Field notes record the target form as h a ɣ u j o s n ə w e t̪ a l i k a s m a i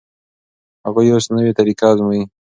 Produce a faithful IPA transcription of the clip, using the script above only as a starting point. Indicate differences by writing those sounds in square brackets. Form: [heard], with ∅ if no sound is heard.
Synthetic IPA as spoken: h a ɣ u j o s n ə w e t̪ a [ɾ] i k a [z] m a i